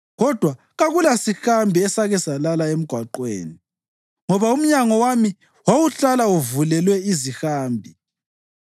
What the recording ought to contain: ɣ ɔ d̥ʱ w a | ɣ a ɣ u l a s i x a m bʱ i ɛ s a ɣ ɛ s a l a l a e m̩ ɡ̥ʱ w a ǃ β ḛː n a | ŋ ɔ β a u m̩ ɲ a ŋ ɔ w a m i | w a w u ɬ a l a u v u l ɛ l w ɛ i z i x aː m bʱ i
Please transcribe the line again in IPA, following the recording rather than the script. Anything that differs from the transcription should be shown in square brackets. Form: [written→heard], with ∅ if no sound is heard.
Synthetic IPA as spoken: ɣ ɔ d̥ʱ w a | ɣ a ɣ u l a s i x a m bʱ i ɛ s a ɣ ɛ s a l a l a e m̩ ɡ̥ʱ w a ǃ [β→w] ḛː n [a→i] | ŋ ɔ β a u m̩ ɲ a ŋ ɔ w a m i | w a w u ɬ a l a u v u l ɛ l w ɛ i z i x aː m bʱ i

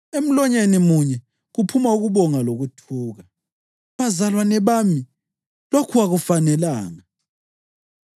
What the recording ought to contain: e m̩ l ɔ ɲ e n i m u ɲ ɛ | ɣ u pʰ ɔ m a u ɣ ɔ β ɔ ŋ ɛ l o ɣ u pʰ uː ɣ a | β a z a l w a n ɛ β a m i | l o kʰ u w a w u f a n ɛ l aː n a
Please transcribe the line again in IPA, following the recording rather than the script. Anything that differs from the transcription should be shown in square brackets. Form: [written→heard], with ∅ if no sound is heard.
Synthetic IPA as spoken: e m̩ l ɔ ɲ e n i m u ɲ ɛ | ɣ u pʰ [ɔ→u] m a u ɣ [ɔ→u] β ɔ ŋ [ɛ→a] l o ɣ u [pʰ→tʰ] uː ɣ a | β a z a l w a n ɛ β a m i | l o kʰ u w a [w→ɣ] u f a n ɛ l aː [n→ŋ] a

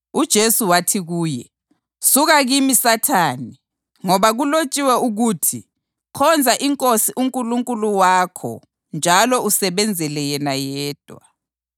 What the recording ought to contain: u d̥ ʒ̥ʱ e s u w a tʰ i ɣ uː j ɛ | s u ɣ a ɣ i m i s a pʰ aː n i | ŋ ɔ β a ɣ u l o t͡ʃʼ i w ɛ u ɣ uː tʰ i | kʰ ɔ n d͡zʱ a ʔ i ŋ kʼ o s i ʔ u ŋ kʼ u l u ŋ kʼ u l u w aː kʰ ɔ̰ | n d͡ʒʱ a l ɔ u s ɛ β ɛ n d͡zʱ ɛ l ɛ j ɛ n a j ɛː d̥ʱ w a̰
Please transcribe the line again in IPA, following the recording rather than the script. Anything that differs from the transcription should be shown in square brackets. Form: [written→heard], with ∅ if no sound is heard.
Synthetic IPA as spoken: u d̥ ʒ̥ʱ e s u w a tʰ i ɣ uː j ɛ | s u ɣ a ɣ i m i s a [pʰ→tʰ] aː n i | ŋ ɔ β a ɣ u l o t͡ʃʼ i w ɛ u ɣ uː tʰ i | kʰ ɔ n d͡zʱ a ʔ i ŋ kʼ o s i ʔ u ŋ kʼ u l u ŋ kʼ u l u w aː kʰ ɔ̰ | n d͡ʒʱ a l ɔ u s ɛ β ɛ n d͡zʱ ɛ l ɛ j ɛ n a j ɛː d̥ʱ w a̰

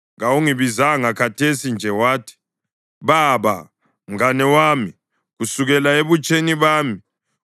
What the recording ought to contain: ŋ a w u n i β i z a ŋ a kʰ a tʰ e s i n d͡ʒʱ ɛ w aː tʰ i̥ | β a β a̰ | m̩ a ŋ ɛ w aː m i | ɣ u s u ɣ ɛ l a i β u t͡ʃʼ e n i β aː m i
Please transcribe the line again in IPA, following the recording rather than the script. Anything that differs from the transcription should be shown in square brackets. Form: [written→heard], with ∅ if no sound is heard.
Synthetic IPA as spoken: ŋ a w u [n→ŋ] i β i z a ŋ a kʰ a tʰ e s i n d͡ʒʱ ɛ w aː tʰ i̥ | β a β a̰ | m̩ a [ŋ→n] ɛ w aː m i | ɣ u s u ɣ ɛ l a [i→e] β u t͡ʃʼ e n i β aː m i

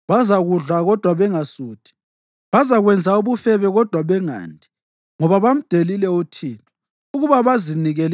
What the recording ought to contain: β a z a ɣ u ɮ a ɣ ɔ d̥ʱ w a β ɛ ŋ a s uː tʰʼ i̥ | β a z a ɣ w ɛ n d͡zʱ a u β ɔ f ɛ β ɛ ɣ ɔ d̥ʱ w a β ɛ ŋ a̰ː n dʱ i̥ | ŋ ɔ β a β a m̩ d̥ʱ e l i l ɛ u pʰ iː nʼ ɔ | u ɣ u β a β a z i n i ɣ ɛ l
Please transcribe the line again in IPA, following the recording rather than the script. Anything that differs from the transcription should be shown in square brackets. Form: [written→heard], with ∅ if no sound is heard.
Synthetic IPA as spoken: β a z a ɣ u ɮ a ɣ ɔ d̥ʱ w a β ɛ ŋ a s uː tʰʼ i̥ | β a z a ɣ w ɛ n d͡zʱ a u β [ɔ→u] f ɛ β ɛ ɣ ɔ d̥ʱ w a β ɛ ŋ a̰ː n dʱ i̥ | ŋ ɔ β a β a m̩ d̥ʱ e l i l ɛ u [pʰ→tʰ] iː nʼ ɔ | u ɣ u β a β a z i n i ɣ ɛ l

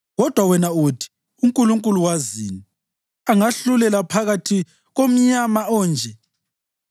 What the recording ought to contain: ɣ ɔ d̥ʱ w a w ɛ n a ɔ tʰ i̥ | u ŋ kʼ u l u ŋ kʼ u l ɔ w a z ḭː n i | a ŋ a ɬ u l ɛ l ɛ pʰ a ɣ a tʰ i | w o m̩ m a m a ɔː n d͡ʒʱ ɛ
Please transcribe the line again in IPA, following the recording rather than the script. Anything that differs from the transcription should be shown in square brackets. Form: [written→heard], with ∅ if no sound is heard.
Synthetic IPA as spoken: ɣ ɔ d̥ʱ w a w ɛ n a [ɔ→u] tʰ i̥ | u ŋ kʼ u l u ŋ kʼ u l [ɔ→u] w a z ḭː n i | a ŋ a ɬ u l ɛ l [ɛ→a] pʰ a ɣ a tʰ i | [w→ɣ] o m̩ [m→ɲ] a m a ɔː n d͡ʒʱ ɛ

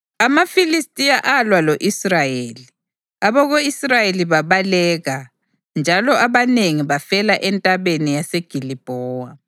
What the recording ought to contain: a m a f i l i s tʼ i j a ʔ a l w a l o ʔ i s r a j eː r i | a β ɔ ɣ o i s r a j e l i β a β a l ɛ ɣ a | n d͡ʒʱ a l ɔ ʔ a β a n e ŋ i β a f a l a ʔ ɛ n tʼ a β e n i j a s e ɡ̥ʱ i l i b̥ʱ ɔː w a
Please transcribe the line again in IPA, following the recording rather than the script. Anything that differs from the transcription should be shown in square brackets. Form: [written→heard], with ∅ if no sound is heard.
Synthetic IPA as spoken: a m a f i l i s tʼ i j a ʔ a l w a l o ʔ i s r a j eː [r→l] i | a β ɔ ɣ o i s r a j e l i β a β a l ɛ ɣ a | n d͡ʒʱ a l ɔ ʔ a β a n e ŋ i β a f [a→ɛ] l a ʔ ɛ n tʼ a β e n i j a s e ɡ̥ʱ i l i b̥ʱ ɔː w a

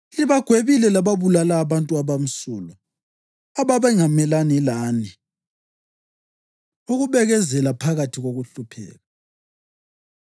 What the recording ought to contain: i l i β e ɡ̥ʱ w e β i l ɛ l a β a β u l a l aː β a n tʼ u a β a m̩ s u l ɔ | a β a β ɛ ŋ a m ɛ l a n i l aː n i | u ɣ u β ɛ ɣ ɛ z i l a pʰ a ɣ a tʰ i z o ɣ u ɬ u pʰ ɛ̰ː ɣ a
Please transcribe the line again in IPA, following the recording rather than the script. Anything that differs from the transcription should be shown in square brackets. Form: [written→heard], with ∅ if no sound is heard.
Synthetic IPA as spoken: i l i β [e→a] ɡ̥ʱ w e β i l ɛ l a β a β u l a l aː β a n tʼ u a β a m̩ s u l ɔ | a β a β ɛ ŋ a m ɛ l a n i l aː n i | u ɣ u β ɛ ɣ ɛ z [i→ɛ] l a pʰ a ɣ a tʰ i [z→ɣ] o ɣ u ɬ u pʰ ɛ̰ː ɣ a

